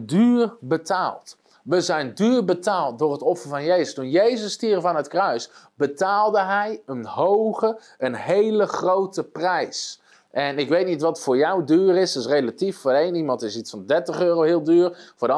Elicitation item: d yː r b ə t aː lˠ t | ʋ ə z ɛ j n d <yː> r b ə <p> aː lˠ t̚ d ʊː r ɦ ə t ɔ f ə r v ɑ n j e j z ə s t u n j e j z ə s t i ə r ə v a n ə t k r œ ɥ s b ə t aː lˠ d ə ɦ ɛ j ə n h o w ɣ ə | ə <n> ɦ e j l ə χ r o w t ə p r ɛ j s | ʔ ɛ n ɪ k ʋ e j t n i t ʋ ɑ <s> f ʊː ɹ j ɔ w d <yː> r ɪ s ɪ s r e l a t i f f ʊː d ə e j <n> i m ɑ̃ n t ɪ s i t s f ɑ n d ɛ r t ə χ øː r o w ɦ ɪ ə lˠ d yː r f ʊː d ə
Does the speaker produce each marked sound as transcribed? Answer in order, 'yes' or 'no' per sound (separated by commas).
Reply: yes, no, yes, no, yes, yes